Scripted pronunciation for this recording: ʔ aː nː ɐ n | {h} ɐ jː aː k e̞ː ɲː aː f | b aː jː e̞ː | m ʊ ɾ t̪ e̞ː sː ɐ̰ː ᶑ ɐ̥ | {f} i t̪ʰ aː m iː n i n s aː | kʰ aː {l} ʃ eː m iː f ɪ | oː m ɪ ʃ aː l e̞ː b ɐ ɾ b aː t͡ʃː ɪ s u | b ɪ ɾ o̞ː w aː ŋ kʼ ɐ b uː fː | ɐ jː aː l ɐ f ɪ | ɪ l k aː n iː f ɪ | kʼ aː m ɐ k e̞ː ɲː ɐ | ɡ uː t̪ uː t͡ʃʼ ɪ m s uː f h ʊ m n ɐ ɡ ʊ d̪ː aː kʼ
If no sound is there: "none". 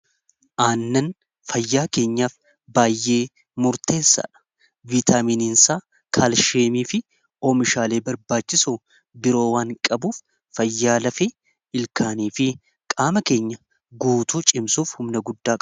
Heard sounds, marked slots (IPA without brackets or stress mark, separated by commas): f, v, l